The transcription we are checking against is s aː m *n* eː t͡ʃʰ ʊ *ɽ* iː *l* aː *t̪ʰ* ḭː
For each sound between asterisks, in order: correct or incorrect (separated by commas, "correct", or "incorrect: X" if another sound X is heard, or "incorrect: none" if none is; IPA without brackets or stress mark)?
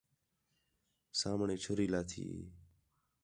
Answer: incorrect: ɳ, incorrect: ɾ, correct, correct